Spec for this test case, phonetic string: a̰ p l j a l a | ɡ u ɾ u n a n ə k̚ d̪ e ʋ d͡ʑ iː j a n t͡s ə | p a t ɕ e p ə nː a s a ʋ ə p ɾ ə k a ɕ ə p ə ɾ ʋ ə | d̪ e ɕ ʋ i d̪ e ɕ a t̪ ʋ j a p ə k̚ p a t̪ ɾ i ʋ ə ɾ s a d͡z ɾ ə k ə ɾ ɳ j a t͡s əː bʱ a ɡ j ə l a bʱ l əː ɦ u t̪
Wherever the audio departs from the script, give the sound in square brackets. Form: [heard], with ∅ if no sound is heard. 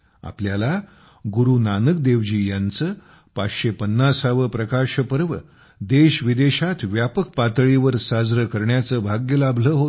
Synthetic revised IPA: a̰ p l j a l a | ɡ u ɾ u n a n ə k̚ d̪ e ʋ d͡ʑ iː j a n t͡s ə | p a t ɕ e p ə nː a s a ʋ ə p ɾ ə k a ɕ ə p ə ɾ ʋ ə | d̪ e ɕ ʋ i d̪ e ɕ a t̪ ʋ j a p ə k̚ p a t̪ [ɭ] i ʋ ə ɾ s a d͡z ɾ ə k ə ɾ ɳ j a t͡s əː bʱ a ɡ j ə l a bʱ l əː ɦ [o] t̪